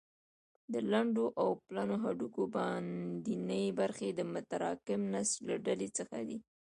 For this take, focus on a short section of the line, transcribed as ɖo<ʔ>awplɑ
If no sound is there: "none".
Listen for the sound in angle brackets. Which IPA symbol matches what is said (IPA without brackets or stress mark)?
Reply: ʔ